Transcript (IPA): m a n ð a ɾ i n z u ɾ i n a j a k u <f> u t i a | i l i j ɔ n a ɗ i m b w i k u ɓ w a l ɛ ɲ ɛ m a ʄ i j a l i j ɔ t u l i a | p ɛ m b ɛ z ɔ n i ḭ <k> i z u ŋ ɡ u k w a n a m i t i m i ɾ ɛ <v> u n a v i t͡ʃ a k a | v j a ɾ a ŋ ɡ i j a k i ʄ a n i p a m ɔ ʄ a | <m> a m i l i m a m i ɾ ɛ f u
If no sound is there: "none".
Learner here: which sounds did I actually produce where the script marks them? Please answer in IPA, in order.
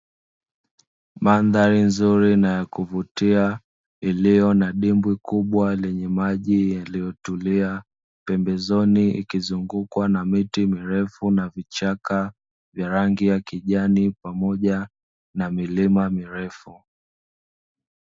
v, k, f, n

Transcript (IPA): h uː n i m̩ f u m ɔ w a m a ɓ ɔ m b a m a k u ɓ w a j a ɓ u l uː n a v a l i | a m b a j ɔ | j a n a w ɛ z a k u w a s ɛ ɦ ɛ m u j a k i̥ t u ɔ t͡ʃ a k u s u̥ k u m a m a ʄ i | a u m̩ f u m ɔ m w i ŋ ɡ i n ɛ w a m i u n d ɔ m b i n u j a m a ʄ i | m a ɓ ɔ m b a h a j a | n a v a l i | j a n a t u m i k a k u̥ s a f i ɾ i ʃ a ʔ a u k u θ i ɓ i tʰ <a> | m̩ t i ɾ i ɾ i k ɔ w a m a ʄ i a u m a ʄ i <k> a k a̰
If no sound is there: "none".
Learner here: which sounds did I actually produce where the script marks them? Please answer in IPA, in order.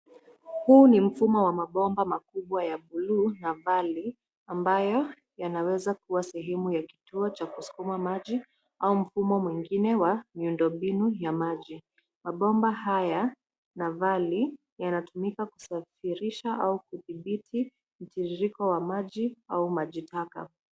i, t

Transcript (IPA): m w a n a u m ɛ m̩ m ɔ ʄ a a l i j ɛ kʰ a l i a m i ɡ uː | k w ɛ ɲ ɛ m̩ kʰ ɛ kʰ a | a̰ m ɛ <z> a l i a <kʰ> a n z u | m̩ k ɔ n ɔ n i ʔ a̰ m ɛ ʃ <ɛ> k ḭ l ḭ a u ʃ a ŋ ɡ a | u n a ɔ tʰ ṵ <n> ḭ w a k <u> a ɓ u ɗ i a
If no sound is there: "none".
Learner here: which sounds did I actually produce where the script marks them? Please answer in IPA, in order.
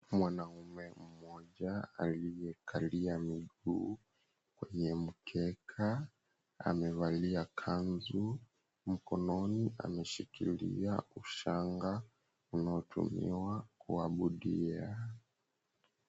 v, kʰ, i, m, u

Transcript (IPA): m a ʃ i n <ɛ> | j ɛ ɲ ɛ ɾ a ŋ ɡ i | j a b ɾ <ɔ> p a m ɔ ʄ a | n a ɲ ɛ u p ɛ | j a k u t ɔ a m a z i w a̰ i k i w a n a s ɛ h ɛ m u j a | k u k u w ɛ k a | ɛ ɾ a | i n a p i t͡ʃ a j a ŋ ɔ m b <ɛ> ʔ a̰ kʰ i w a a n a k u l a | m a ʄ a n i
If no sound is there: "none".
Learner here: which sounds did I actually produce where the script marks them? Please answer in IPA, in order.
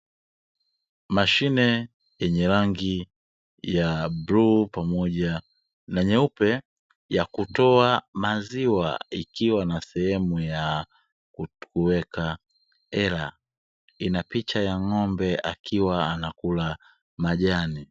ɛ, u, ɛ

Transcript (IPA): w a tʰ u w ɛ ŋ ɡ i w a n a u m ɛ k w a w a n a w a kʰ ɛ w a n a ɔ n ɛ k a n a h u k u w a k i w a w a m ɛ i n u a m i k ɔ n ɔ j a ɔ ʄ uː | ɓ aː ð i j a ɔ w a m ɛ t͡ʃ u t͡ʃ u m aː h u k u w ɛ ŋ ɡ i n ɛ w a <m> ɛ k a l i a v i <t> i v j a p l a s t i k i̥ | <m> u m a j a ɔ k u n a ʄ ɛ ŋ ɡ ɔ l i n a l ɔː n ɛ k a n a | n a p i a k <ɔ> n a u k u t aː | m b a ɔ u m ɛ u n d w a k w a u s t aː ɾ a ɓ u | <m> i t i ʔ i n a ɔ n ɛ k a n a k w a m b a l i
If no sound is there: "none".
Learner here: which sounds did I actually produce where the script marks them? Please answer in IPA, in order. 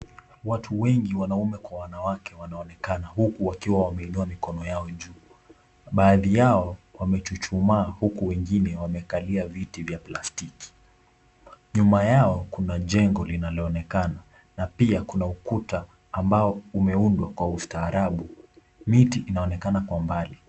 m, t, ɲ, u, m

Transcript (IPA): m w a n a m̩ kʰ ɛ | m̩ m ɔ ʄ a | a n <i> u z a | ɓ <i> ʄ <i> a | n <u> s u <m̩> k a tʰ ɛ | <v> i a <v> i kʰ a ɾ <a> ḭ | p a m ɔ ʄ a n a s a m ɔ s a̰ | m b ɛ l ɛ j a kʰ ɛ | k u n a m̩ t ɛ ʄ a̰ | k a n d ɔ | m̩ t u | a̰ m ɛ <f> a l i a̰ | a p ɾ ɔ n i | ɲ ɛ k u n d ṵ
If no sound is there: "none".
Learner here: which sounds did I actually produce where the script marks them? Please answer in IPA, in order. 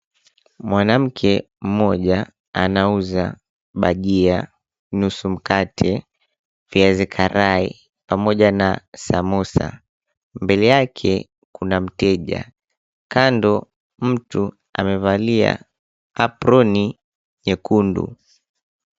a, a, i, u, m̩, v, z, a, v

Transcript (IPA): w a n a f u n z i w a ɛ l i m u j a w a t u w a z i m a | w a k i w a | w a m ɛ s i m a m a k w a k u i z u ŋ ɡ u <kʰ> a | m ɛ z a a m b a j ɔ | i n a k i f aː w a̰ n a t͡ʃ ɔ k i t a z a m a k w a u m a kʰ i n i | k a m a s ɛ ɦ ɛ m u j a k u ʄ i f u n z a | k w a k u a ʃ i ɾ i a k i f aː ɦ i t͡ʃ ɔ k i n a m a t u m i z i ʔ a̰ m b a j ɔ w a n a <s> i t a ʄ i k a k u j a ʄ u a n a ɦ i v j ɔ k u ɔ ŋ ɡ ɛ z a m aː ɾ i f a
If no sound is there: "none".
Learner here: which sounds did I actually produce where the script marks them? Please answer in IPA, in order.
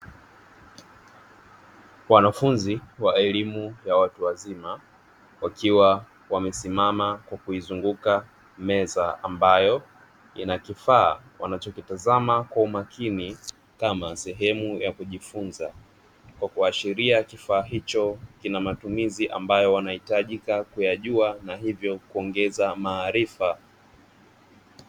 k, h

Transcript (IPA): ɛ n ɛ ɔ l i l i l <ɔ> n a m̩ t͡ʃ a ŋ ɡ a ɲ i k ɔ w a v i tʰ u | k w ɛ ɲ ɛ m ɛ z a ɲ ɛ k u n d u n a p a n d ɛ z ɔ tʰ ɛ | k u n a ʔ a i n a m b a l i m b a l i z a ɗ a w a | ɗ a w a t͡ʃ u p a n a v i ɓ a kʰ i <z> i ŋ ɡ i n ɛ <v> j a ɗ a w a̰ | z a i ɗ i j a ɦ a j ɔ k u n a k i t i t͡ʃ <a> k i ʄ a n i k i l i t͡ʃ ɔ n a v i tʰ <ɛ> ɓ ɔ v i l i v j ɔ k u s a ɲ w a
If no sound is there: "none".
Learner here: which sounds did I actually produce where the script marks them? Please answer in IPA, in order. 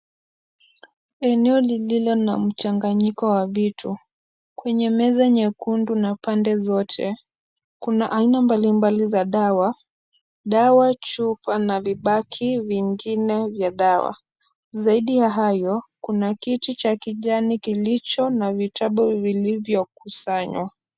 ɔ, v, v, a, a

